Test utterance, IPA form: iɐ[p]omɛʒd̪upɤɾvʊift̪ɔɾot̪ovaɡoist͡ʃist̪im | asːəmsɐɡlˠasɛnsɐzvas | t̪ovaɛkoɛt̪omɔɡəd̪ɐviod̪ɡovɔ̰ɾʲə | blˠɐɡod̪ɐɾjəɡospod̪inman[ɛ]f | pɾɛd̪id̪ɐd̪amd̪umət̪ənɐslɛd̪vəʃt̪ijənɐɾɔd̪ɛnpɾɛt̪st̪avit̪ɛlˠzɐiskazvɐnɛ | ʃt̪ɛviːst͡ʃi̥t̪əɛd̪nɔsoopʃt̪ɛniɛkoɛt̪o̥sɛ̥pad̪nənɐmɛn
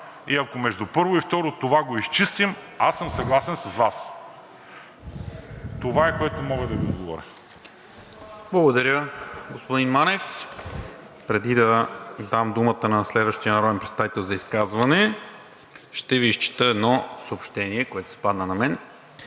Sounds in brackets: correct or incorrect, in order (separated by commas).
incorrect, correct